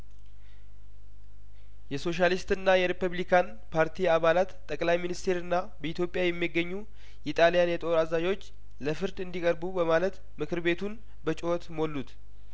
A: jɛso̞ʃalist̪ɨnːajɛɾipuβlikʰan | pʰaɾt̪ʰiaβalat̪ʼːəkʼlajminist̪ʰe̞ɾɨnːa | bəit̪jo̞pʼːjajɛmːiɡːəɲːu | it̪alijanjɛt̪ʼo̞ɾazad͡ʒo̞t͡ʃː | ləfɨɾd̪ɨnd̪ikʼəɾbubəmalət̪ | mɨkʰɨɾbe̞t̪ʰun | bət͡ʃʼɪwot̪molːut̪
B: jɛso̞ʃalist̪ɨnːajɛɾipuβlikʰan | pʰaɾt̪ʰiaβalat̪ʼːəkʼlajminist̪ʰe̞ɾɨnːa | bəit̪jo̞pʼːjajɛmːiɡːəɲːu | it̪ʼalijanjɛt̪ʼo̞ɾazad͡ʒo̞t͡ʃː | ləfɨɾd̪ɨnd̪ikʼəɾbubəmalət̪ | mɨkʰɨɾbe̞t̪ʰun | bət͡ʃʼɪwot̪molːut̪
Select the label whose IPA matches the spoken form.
B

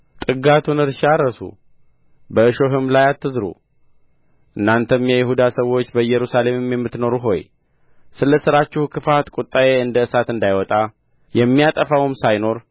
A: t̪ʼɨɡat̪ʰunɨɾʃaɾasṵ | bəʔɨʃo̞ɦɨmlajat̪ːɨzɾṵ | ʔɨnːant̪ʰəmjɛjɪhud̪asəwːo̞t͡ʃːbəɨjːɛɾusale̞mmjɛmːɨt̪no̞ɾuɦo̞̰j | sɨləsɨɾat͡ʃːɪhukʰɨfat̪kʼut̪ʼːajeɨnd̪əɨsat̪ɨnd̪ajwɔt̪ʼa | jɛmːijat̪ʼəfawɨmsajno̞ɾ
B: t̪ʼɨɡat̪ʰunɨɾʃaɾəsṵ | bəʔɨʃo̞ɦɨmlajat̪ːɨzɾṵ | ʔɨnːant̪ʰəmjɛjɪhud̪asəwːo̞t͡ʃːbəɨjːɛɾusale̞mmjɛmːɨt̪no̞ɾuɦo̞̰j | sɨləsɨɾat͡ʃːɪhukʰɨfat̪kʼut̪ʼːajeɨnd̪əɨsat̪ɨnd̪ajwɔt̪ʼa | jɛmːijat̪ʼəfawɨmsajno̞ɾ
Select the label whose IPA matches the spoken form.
B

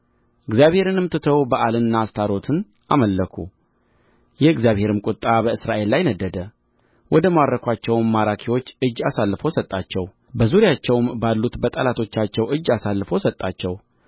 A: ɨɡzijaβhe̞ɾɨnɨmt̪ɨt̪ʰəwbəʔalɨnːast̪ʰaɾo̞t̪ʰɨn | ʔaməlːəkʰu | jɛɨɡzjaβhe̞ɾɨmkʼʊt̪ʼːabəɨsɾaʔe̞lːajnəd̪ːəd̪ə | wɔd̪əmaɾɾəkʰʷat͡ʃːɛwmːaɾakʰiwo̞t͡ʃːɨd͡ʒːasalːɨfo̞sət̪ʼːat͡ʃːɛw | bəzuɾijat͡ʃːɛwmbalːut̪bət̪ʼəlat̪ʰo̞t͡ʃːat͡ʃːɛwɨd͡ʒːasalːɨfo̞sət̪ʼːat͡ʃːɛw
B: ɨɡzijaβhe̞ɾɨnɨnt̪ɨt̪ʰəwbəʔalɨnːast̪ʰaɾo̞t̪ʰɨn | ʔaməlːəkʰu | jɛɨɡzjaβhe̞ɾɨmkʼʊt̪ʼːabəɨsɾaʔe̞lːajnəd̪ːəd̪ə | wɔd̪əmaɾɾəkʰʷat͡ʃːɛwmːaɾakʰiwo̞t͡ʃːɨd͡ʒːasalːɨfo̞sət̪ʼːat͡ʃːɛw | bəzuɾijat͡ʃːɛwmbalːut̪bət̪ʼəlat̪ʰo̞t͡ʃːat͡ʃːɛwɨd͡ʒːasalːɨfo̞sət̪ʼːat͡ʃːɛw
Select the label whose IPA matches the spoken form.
A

